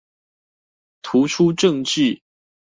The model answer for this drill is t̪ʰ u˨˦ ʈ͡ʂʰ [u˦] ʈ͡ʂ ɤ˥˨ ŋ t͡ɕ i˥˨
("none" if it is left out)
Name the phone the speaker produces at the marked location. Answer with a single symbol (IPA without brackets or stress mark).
u˦